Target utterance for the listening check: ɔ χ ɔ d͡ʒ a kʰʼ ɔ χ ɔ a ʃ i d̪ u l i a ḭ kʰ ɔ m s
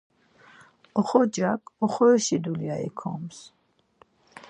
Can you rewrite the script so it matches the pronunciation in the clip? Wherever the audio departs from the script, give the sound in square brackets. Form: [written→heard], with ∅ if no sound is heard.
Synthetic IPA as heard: ɔ χ ɔ d͡ʒ a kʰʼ ɔ χ ɔ [a→ɛ] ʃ i d̪ u l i a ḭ kʰ ɔ m s